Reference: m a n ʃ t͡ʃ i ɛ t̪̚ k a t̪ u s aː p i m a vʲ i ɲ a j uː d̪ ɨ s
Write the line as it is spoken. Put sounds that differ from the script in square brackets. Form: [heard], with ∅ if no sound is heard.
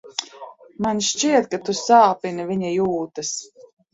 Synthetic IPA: m a n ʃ t͡ʃ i ɛ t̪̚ k a t̪ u s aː p i [n] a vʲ i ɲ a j uː [t̪] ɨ s